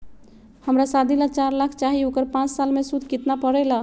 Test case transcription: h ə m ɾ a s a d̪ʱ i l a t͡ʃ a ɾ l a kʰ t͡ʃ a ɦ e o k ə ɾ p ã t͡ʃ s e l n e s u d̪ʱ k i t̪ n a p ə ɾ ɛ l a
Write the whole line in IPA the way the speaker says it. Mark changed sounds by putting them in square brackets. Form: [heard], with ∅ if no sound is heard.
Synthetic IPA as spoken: h ə m ɾ a s a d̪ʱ i l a t͡ʃ a ɾ l a kʰ t͡ʃ a ɦ [i] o k ə ɾ p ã t͡ʃ s [a] l [m] e s u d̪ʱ k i t̪ n a p ə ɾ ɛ l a